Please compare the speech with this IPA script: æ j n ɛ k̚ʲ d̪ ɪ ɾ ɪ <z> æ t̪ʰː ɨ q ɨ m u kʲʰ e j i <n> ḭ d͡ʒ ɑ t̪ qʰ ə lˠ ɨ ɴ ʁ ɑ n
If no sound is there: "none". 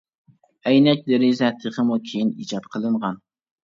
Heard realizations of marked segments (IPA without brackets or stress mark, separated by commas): z, n